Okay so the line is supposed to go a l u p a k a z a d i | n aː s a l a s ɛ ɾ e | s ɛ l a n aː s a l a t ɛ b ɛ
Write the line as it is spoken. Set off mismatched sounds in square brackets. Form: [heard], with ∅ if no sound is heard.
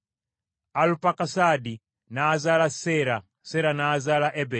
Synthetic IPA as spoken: a l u p a k a [s] a d i | n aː [z] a l a s ɛ ɾ [a] | s ɛ [ɾ] a n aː [z] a l a [ʔ] ɛ b ɛ